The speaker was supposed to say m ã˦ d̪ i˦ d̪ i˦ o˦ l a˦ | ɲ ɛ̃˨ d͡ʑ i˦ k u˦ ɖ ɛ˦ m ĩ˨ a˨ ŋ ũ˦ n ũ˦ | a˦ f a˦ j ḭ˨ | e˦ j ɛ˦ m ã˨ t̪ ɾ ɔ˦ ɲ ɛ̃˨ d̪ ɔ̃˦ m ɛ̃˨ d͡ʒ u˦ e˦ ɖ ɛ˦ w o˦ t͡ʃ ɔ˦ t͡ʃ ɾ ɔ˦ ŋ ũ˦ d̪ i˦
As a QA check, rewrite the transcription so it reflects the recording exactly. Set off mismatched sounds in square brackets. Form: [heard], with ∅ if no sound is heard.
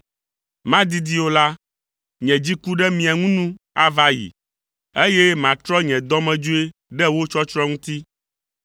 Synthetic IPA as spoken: m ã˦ d̪ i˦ d̪ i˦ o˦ l a˦ | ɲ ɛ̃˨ d͡ʑ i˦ k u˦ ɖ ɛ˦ m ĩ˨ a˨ ŋ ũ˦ n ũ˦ | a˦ [v] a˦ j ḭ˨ | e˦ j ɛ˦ m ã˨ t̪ ɾ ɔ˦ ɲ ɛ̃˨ d̪ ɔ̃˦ m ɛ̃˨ d͡ʒ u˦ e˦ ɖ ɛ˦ w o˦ t͡ʃ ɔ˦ t͡ʃ ɾ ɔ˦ ŋ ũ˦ [t̪] i˦